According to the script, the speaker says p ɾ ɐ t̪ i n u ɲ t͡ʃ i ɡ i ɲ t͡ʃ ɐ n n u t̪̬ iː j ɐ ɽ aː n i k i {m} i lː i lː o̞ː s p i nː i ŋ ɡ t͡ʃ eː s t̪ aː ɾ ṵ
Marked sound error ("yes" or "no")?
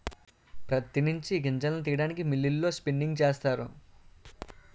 no